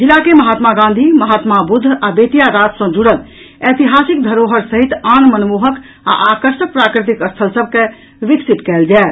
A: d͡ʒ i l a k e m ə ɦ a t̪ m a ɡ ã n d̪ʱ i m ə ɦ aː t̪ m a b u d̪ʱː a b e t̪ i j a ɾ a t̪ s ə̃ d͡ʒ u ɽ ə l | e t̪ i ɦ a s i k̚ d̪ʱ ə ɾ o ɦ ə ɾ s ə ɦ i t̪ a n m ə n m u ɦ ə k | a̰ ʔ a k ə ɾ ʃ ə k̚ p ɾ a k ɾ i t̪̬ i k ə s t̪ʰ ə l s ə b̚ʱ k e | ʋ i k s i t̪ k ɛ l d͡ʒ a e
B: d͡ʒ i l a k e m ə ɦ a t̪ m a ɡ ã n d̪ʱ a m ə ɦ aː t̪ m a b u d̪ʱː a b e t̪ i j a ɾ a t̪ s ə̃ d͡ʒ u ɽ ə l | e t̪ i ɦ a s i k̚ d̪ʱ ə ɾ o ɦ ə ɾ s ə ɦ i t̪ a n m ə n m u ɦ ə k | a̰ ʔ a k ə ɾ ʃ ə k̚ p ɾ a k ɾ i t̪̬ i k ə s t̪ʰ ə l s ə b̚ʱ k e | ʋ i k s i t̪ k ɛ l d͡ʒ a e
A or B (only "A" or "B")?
A